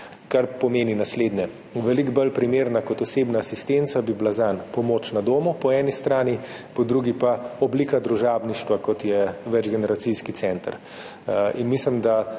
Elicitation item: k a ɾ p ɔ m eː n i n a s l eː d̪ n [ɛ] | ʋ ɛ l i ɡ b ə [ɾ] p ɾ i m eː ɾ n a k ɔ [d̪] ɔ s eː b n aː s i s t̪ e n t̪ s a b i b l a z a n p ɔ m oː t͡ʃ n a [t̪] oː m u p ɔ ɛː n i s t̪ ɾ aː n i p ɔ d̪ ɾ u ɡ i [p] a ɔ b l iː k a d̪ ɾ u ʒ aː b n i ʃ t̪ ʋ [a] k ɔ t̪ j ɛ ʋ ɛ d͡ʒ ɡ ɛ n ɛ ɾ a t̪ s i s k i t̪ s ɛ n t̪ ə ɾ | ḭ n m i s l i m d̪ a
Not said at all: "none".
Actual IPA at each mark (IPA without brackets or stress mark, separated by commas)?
ɛ, l, t̪, d̪, p, a